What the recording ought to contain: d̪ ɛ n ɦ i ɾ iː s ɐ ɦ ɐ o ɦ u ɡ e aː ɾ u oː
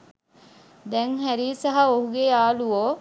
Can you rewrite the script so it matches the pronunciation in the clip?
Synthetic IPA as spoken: d̪ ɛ ŋ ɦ æ ɾ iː s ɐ ɦ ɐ o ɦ u ɡ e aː l u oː